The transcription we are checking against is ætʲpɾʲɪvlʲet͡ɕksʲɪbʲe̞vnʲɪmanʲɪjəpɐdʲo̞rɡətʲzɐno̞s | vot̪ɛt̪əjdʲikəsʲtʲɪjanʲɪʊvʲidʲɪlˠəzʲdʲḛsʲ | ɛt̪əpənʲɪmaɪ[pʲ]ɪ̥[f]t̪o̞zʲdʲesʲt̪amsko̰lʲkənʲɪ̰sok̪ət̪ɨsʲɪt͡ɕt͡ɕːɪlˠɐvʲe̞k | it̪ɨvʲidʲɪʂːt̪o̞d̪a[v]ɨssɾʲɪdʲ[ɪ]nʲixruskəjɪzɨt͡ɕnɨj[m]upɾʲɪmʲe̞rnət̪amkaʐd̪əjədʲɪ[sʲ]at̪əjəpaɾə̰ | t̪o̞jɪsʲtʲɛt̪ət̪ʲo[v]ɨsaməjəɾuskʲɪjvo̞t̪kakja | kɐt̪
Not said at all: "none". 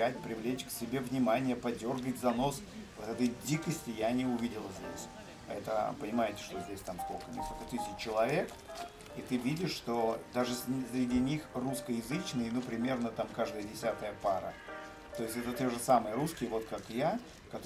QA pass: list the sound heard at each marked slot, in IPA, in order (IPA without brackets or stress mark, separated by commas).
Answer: tʲ, ʂ, ʐ, i, n, sʲ, ʐ